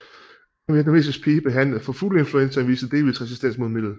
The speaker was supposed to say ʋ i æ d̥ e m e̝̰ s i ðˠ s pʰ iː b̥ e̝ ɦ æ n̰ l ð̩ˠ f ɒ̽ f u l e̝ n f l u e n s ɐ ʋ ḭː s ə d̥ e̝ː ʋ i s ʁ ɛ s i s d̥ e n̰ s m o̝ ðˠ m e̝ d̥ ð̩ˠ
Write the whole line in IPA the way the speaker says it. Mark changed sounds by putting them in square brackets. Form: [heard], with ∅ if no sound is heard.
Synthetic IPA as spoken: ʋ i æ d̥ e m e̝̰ s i [∅] s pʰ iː b̥ e̝ ɦ æ n̰ l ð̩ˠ f ɒ̽ f u l e̝ n f l u e n s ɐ ʋ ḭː s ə d̥ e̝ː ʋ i s ʁ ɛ s i s d̥ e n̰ s m o̝ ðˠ m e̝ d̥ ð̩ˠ